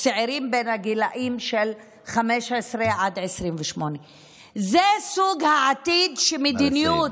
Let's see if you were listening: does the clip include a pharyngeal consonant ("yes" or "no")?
yes